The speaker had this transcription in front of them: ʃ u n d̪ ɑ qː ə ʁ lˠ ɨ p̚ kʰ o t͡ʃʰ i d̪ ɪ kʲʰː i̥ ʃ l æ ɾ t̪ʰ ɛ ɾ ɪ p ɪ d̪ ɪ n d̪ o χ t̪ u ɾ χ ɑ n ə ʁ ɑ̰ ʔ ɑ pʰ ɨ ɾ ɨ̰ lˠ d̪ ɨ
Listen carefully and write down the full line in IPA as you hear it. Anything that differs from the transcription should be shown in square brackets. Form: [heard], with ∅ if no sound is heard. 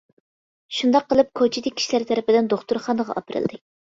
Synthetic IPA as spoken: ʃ u n d̪ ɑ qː ə [∅] lˠ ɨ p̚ kʰ o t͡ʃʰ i d̪ ɪ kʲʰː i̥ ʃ l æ ɾ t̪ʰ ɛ ɾ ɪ p ɪ d̪ ɪ n d̪ o χ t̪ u ɾ χ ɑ n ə ʁ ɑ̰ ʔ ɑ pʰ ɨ ɾ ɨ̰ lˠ d̪ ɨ